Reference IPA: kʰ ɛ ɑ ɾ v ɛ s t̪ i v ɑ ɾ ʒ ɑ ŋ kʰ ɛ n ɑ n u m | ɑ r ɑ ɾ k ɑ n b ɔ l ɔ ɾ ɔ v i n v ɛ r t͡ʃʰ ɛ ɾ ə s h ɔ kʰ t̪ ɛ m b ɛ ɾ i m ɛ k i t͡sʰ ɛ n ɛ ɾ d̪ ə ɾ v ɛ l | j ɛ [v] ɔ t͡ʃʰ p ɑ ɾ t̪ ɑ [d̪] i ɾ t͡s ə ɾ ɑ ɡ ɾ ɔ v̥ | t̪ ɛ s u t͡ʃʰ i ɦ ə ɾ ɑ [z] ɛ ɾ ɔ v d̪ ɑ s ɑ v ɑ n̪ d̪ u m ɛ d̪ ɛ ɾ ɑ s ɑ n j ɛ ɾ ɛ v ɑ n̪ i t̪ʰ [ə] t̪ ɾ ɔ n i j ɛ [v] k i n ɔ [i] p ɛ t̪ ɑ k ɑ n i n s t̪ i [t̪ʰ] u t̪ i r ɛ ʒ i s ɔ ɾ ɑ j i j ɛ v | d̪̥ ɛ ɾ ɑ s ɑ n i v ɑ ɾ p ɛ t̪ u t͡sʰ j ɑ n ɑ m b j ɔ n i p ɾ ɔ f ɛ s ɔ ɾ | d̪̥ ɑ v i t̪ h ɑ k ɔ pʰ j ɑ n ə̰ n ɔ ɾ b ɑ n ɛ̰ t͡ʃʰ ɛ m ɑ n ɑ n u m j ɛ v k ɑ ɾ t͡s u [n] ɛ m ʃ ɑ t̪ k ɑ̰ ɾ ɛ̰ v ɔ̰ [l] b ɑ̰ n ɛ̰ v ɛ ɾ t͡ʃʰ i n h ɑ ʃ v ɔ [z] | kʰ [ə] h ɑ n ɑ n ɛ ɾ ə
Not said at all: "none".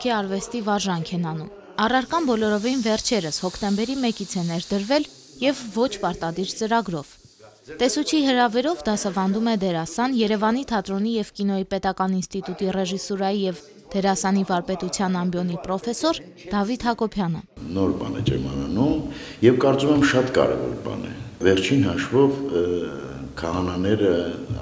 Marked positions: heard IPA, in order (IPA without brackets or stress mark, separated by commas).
vː, d̪, v, ɑ, v, i, t̪, m, ɾ, v, ɑ